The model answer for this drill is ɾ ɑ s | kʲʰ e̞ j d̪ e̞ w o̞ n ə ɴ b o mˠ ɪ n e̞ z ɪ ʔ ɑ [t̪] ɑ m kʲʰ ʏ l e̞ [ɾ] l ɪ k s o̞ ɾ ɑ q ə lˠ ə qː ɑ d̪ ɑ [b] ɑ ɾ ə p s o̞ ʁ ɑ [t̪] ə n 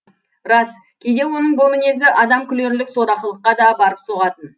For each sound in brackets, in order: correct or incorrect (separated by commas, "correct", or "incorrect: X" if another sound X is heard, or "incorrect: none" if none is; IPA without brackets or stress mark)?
incorrect: d̪, correct, correct, correct